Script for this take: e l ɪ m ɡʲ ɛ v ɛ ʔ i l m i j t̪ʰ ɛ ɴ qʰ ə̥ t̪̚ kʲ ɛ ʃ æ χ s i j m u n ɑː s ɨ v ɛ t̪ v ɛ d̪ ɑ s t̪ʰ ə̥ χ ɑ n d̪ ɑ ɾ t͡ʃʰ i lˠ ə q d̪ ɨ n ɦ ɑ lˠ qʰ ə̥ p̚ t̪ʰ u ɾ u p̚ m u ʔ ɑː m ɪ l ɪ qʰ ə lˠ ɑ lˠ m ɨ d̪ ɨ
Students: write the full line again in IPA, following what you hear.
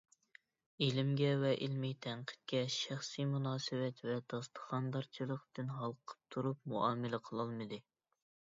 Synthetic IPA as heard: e l ɪ m ɡʲ ɛ v ɛ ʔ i l m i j t̪ʰ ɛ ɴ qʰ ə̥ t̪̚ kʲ ɛ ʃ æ χ s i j m u n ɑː s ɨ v ɛ t̪ v ɛ d̪ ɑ s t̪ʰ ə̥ χ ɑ n d̪ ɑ ɾ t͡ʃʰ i lˠ ə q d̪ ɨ n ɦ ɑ lˠ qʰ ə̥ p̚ t̪ʰ u ɾ u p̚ m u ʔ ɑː m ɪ l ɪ qʰ ə lˠ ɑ lˠ m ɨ d̪ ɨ